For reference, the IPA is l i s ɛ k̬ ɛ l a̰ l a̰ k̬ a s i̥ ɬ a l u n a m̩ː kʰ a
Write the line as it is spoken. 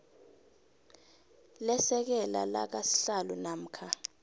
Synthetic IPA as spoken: l ɛ s ɛ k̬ ɛ l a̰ l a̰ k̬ a s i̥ ɬ a l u n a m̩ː kʰ a